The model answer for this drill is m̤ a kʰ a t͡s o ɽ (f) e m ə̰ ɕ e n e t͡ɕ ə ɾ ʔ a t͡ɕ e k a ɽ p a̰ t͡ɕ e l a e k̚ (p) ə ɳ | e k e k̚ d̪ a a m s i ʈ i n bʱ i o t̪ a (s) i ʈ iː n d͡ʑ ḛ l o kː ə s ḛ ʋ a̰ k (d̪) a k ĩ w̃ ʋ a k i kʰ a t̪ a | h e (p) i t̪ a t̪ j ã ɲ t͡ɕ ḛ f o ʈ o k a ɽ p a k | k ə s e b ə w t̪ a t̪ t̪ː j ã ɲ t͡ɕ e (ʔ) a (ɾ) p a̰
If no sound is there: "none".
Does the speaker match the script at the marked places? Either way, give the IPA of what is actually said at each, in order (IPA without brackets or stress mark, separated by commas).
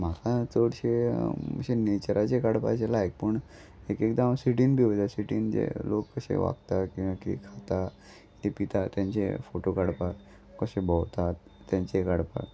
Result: ɕ, p, s, t̪, p, k, ɽ